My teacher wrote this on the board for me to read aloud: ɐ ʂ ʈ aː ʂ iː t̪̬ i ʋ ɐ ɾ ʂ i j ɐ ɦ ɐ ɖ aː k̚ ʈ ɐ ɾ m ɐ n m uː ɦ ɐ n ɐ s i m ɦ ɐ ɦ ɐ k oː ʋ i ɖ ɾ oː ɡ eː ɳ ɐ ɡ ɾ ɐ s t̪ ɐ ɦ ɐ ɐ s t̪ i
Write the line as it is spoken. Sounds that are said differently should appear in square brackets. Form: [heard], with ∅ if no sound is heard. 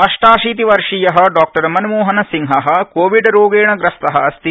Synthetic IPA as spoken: ɐ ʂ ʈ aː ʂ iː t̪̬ i ʋ ɐ ɾ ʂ i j ɐ ɦ ɐ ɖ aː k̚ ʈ ɐ ɾ m ɐ n m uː ɦ ɐ n ɐ s i [ŋ] ɦ ɐ ɦ ɐ k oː ʋ i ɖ ɾ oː ɡ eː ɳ ɐ ɡ ɾ ɐ s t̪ ɐ ɦ ɐ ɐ s t̪ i